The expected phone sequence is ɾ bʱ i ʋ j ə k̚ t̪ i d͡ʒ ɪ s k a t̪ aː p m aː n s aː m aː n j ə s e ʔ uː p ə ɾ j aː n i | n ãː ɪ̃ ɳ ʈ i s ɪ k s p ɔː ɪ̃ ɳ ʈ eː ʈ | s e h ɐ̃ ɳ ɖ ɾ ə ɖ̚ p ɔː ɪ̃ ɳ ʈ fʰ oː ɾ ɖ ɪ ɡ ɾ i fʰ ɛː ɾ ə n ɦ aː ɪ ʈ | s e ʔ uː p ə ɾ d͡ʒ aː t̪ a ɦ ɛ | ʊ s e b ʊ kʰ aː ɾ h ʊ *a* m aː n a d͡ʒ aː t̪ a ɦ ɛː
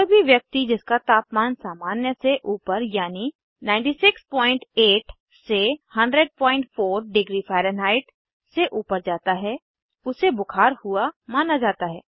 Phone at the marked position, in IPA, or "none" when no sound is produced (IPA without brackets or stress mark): a